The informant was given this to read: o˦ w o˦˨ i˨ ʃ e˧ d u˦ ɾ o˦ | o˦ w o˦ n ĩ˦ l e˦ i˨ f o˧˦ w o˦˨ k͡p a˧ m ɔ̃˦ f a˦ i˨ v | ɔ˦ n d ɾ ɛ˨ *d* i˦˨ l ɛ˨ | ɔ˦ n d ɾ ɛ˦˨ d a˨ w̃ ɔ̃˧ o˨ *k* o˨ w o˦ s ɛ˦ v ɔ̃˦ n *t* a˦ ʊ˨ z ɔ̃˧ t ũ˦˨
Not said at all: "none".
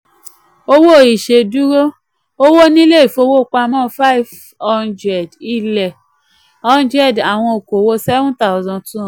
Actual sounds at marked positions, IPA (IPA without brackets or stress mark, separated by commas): d, k, t